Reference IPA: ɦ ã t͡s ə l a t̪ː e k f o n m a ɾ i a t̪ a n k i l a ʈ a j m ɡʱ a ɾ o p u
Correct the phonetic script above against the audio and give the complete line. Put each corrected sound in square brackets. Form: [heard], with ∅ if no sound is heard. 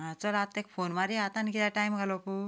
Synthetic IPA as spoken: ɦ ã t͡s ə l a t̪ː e k f o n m a ɾ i a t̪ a n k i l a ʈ a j m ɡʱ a [l] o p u